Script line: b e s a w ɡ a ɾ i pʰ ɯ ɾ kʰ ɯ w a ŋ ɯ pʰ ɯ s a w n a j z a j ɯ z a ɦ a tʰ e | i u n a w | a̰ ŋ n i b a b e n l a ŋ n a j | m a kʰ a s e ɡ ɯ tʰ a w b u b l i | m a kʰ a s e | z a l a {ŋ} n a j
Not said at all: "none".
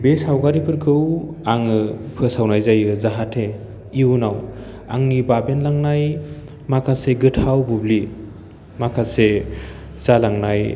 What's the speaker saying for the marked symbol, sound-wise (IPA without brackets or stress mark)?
ŋ